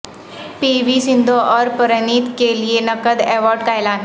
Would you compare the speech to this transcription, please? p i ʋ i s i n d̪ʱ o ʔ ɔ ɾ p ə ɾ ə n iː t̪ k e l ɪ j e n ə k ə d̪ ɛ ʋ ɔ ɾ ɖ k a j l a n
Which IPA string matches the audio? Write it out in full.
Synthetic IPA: p i ʋ i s i n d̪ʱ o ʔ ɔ ɾ p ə ɾ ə n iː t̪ k e l i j e n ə k ə d̪ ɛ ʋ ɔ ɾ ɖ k a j l a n